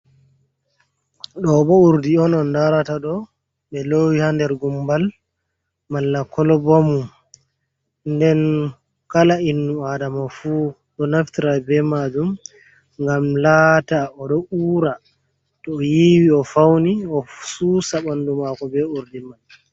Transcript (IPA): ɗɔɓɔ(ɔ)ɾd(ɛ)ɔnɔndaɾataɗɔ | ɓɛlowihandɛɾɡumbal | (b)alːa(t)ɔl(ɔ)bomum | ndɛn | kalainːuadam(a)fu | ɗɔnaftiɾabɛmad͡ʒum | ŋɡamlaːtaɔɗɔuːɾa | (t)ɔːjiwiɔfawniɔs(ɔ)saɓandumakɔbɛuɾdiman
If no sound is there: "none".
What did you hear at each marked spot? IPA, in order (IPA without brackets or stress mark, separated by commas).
u, i, m, k, ɔ, a, t, u